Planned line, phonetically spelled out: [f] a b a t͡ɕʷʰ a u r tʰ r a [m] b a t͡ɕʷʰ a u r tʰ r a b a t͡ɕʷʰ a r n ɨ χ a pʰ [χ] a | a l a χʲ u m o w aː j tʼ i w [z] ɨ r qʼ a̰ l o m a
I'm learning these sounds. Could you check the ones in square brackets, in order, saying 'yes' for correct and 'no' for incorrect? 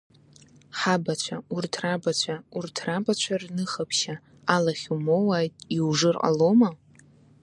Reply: no, no, no, no

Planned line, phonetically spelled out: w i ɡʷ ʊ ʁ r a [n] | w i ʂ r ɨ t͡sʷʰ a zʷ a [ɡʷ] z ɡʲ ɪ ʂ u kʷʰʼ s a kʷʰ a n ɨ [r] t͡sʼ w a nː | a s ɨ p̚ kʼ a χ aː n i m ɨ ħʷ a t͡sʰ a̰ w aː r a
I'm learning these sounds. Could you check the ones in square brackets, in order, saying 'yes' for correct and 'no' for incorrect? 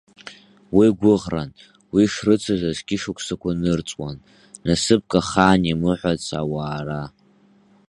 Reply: yes, no, yes

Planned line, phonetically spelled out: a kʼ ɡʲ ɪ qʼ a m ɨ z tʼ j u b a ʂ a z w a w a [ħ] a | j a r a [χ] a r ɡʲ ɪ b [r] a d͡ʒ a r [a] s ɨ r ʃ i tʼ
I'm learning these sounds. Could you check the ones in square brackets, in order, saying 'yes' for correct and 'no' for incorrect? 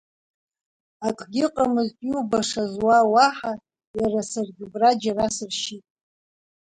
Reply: yes, no, yes, yes

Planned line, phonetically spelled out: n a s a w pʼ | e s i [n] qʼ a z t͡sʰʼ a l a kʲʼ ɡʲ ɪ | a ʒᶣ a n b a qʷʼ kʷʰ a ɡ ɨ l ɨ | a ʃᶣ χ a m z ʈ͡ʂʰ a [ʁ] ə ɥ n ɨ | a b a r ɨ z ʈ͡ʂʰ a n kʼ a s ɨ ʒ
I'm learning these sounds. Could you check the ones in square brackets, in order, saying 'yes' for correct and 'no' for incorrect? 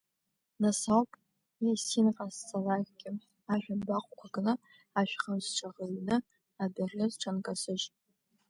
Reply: yes, yes

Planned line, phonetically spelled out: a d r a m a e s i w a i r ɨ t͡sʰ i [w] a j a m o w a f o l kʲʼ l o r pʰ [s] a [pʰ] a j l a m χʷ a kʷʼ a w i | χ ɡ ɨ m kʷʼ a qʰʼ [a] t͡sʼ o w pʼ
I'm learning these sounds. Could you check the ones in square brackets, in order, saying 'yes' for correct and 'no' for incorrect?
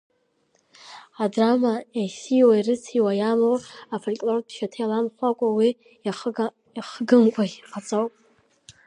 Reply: yes, no, no, yes

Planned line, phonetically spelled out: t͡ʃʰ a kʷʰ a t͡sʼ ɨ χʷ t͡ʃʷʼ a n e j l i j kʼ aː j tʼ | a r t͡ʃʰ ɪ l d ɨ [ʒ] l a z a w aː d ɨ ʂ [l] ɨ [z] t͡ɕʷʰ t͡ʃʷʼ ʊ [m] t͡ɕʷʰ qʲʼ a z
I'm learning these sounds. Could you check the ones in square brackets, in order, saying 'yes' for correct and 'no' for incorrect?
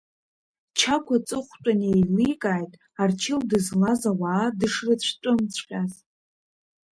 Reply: no, no, no, yes

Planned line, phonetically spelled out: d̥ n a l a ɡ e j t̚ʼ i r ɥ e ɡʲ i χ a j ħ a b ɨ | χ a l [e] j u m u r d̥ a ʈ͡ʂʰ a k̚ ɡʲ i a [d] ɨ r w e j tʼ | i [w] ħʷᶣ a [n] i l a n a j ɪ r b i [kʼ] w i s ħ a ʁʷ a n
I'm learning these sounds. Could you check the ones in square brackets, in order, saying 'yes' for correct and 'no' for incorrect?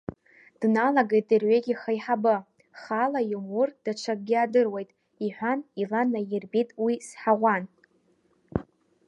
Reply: no, yes, no, yes, no

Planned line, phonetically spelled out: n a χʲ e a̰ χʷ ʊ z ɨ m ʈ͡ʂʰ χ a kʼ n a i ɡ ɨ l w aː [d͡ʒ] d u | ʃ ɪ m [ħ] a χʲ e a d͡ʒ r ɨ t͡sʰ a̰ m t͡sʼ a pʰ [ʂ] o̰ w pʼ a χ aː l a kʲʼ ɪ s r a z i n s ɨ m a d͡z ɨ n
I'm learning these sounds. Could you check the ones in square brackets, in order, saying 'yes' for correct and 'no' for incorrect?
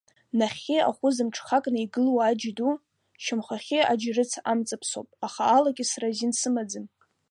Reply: yes, no, no

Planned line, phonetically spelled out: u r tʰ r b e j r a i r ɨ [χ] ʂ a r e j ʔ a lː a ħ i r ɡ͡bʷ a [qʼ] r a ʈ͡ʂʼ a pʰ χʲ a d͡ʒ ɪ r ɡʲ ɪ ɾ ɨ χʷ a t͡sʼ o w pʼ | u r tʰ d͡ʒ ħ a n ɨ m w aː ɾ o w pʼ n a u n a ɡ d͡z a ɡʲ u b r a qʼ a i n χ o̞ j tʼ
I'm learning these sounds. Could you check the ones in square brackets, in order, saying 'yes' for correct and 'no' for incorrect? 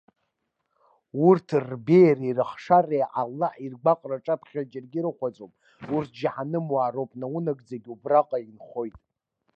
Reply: yes, yes

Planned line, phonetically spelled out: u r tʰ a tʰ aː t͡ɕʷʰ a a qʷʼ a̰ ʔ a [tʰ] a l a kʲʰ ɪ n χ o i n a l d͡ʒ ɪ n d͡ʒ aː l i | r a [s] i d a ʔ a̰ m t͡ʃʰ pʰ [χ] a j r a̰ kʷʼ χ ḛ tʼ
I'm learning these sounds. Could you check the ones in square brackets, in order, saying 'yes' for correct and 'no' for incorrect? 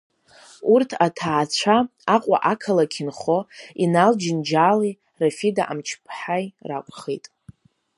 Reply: no, no, no

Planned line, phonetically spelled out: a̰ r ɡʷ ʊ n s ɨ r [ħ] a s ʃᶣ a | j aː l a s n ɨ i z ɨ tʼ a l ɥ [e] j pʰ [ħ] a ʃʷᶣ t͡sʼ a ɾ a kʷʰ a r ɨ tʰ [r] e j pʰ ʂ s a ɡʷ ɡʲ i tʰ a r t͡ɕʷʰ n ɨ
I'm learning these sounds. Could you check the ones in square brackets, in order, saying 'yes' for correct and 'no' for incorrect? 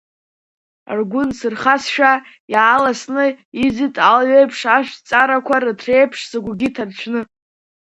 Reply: no, yes, no, yes

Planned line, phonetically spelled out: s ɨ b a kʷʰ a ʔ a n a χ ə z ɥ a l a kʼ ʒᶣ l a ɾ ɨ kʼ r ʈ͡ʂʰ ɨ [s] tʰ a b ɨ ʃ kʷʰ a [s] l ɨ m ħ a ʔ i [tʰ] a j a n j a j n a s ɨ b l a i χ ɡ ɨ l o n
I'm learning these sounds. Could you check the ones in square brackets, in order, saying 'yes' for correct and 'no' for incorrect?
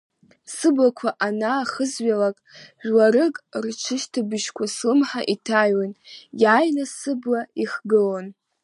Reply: no, yes, yes

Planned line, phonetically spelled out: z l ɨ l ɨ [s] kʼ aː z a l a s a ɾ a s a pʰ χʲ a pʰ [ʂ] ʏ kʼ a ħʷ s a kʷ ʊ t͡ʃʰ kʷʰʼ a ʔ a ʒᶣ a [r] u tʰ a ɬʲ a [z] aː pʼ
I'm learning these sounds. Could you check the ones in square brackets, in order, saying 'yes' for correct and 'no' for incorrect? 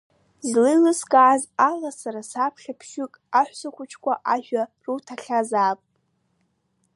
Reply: yes, no, yes, yes

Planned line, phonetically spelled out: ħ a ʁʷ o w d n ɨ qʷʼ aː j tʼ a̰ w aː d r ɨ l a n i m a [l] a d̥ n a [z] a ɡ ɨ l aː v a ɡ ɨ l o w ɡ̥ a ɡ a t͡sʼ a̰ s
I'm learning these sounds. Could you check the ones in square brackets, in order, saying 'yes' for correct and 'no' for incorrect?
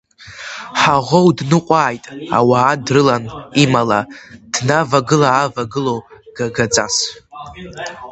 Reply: yes, no

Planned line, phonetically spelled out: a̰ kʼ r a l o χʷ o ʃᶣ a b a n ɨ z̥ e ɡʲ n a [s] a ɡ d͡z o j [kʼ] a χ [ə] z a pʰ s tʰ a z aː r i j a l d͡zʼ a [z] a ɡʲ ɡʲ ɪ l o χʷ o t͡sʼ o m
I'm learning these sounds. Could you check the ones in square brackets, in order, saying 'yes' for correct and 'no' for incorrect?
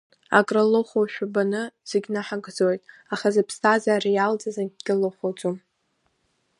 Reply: no, no, no, yes

